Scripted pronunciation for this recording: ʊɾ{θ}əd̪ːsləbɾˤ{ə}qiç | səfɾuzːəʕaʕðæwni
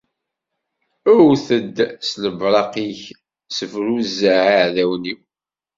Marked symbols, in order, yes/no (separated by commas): yes, no